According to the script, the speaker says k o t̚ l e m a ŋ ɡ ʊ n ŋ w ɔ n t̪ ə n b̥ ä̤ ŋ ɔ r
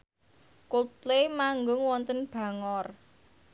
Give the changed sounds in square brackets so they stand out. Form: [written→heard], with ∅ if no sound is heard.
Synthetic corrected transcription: k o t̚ l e m a ŋ ɡ ʊ [n→∅] ŋ w ɔ n t̪ ə n b̥ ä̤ ŋ ɔ r

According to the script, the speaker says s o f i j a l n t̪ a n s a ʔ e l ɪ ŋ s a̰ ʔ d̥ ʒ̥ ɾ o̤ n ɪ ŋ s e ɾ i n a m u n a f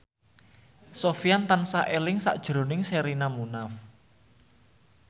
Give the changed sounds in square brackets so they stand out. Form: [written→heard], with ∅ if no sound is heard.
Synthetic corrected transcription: s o f i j a [l→∅] n t̪ a n s a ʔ e l ɪ ŋ s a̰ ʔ d̥ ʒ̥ ɾ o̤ n ɪ ŋ s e ɾ i n a m u n a f

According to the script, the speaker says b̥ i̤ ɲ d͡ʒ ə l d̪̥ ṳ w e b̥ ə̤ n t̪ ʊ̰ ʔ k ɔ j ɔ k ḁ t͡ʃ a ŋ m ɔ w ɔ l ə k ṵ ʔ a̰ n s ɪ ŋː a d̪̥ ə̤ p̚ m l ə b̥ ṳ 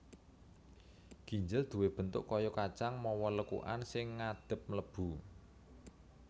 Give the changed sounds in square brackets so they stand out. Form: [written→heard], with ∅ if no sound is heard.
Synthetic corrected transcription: [b̥→ɡ̥] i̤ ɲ d͡ʒ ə l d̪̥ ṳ w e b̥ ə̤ n t̪ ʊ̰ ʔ k ɔ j ɔ k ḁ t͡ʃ a ŋ m ɔ w ɔ l ə k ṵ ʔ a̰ n s ɪ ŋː a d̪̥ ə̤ p̚ m l ə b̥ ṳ

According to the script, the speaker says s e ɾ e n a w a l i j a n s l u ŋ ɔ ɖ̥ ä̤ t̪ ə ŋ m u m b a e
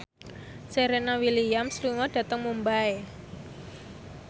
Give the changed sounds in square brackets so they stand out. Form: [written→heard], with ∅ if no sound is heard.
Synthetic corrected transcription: s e ɾ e n a w [a→i] l i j a [n→m] s l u ŋ ɔ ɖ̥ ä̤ t̪ ə ŋ m u m b a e

